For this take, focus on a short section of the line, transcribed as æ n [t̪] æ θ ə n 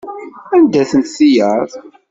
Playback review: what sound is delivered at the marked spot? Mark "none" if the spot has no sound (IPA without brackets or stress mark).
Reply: d̪